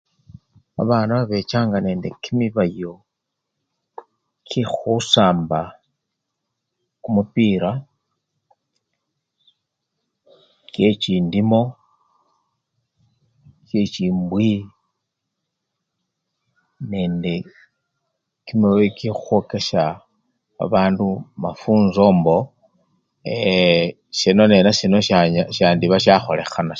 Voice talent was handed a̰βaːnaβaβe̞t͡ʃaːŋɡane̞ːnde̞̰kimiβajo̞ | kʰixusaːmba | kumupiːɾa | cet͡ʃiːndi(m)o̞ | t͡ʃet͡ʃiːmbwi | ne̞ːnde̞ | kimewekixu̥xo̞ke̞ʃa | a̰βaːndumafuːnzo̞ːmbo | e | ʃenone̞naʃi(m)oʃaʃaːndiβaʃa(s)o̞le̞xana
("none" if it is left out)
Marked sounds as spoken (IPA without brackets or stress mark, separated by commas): m, n, x